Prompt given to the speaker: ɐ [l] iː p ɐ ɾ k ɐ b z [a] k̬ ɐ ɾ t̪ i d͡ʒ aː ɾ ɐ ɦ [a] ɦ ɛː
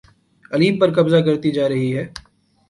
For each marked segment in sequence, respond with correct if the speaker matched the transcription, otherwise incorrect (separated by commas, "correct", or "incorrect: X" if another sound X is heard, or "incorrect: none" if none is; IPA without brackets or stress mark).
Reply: correct, correct, incorrect: i